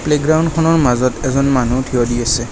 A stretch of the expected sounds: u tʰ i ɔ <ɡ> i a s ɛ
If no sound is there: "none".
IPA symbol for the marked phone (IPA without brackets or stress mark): d